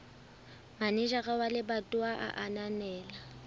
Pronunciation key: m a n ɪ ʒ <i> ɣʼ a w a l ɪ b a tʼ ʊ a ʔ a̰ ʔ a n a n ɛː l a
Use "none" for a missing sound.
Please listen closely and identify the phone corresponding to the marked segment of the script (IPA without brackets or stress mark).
a